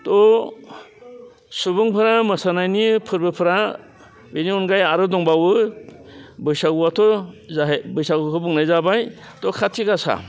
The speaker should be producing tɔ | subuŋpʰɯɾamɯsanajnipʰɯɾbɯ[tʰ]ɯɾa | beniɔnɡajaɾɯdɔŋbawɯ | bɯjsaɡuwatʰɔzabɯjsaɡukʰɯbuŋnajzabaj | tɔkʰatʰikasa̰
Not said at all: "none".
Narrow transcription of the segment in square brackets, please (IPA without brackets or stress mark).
pʰ